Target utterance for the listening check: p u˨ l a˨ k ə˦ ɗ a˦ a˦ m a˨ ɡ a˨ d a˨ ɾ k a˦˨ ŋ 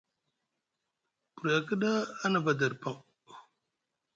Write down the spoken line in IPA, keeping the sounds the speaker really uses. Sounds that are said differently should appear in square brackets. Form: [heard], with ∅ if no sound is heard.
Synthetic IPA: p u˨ [ɾ] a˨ k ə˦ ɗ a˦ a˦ [n] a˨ [b] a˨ d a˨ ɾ [p] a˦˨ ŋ

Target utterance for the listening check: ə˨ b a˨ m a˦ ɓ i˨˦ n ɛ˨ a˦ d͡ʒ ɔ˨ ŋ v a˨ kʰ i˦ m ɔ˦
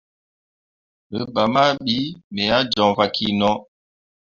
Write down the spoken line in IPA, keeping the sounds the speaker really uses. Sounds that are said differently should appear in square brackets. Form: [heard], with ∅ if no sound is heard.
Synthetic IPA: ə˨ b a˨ m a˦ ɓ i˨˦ [m] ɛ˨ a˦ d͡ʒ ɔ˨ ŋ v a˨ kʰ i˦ [n] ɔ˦

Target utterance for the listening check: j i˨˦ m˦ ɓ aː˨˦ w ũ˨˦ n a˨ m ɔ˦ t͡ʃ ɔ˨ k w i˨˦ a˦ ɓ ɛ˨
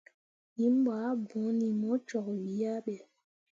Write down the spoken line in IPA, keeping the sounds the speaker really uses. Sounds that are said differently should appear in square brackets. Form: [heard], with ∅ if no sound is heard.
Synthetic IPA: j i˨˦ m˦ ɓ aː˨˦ [b] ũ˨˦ n [i˨] m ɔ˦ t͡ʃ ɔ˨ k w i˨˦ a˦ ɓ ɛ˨

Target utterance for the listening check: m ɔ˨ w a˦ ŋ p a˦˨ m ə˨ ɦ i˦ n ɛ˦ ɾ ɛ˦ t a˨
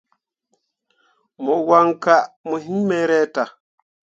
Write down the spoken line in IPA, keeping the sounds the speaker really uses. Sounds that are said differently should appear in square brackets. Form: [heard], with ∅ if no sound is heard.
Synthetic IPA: m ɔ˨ w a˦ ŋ [k] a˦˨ m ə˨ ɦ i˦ [m] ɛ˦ ɾ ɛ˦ t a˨

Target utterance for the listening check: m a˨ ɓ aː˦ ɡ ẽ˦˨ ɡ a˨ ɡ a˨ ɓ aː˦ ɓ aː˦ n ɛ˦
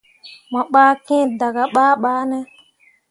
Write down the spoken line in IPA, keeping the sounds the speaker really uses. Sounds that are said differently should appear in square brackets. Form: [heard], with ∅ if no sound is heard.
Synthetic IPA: m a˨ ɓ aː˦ [k] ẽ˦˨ [d] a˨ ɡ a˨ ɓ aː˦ ɓ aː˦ n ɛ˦

